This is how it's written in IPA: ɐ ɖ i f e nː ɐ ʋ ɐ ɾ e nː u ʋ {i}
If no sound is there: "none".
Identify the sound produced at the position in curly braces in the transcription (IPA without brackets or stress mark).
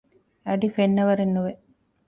e